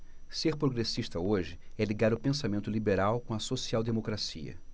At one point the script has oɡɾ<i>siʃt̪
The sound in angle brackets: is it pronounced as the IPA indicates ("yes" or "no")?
no